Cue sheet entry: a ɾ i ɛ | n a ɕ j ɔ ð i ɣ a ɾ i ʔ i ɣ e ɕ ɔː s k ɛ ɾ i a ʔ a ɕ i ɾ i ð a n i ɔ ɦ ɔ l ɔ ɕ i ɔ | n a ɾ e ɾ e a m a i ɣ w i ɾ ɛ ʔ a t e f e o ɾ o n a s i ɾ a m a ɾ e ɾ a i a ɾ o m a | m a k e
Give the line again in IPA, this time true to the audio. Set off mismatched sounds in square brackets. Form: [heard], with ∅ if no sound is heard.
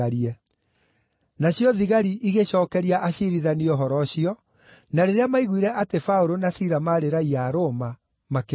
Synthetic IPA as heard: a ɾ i ɛ | n a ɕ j ɔ ð i ɣ a ɾ i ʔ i ɣ e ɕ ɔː [∅] k ɛ ɾ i a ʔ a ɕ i ɾ i ð a n i ɔ ɦ ɔ [ɾ] ɔ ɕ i ɔ | n a ɾ e ɾ e a m a i ɣ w i ɾ ɛ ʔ a t e f [a] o ɾ o n a s i ɾ a m a ɾ e ɾ a i a ɾ o m a | m a k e